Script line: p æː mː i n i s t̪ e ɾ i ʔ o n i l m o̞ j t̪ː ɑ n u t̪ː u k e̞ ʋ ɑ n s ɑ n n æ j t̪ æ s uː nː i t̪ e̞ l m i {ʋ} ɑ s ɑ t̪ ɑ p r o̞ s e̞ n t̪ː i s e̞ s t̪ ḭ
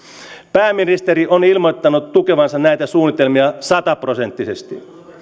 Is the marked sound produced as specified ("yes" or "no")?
no